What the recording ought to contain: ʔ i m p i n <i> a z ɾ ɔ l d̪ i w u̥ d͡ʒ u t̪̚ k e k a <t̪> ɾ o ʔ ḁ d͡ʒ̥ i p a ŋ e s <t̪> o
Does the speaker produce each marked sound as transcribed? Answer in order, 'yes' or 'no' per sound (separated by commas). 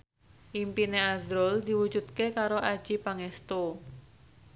no, no, yes